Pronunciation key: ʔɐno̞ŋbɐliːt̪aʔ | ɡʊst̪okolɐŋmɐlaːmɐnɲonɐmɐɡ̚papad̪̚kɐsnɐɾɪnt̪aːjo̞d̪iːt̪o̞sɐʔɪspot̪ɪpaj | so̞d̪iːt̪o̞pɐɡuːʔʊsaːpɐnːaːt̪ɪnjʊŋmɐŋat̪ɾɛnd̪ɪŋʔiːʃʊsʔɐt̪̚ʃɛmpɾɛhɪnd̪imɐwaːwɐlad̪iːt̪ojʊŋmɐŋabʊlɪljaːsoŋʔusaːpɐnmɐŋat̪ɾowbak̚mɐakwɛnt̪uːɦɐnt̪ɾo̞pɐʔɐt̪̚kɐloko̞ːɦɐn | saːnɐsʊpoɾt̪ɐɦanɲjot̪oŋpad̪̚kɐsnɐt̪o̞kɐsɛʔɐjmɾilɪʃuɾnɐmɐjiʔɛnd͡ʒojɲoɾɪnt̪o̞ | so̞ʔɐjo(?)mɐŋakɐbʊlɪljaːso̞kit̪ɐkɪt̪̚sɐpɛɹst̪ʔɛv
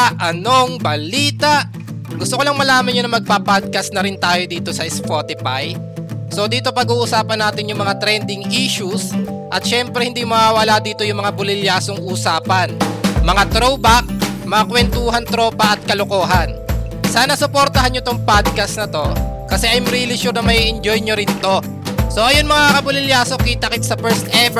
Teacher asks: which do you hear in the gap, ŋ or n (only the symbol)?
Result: n